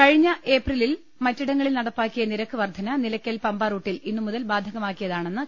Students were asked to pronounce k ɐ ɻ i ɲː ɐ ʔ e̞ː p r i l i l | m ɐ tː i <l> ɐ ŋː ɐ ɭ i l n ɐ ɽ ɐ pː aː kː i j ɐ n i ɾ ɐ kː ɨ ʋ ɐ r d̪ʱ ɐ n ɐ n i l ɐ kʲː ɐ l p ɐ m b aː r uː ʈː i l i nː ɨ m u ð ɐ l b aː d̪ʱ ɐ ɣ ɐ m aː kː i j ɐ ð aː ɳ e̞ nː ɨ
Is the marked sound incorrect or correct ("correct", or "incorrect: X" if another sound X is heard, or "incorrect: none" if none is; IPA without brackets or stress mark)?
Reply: incorrect: ɽ